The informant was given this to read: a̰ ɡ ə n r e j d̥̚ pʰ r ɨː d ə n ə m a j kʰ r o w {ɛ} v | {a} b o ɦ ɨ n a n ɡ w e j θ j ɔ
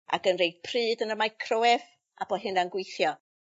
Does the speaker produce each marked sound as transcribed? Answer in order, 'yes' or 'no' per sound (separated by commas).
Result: yes, yes